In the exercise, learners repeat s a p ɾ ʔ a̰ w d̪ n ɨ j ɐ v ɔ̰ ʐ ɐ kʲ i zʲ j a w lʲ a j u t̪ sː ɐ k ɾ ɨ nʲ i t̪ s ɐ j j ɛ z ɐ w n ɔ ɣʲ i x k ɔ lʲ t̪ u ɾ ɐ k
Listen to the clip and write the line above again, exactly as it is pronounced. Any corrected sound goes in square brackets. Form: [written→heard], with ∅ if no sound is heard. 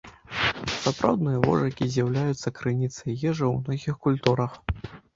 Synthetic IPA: s a p ɾ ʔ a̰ w d̪ n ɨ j ɐ v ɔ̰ ʐ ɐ kʲ i zʲ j a w lʲ a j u t̪ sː ɐ k ɾ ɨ nʲ i t̪ s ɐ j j ɛ [z→ʐ] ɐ w n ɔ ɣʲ i x k [ɔ→u] lʲ t̪ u ɾ ɐ [k→x]